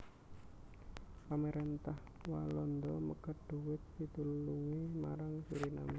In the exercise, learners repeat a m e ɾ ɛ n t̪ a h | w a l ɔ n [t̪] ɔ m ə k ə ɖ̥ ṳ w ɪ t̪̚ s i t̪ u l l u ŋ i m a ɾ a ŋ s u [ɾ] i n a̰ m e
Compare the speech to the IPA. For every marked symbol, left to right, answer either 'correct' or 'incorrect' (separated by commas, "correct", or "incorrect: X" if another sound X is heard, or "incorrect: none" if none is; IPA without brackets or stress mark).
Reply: incorrect: d̪, correct